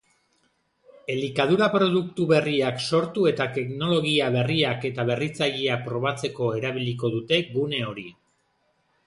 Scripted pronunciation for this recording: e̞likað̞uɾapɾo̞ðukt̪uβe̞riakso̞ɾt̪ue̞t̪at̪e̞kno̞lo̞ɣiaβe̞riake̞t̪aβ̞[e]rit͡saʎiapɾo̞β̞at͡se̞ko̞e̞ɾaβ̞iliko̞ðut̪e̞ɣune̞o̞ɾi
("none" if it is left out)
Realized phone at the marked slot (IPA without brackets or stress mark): e